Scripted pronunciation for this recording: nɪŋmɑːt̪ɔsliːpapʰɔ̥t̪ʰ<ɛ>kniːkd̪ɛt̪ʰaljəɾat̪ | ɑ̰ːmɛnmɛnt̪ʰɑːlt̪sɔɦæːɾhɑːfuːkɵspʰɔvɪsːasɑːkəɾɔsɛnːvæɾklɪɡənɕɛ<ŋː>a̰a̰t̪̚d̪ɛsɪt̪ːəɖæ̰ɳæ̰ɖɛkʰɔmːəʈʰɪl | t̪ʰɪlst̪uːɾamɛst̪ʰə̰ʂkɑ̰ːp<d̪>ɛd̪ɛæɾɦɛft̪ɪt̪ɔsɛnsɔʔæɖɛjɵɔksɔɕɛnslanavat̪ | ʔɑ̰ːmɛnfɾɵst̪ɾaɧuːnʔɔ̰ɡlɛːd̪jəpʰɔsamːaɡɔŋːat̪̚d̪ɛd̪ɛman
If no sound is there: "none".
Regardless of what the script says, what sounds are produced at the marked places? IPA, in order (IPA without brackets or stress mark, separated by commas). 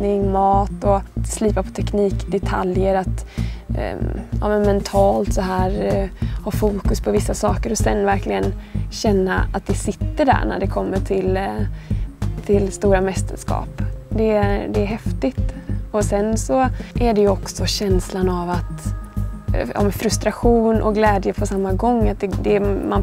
ɛ, nː, d̪